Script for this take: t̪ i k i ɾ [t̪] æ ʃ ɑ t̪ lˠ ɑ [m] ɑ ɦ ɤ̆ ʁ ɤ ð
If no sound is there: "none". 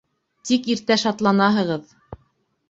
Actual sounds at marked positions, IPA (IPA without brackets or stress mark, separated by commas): t̪, n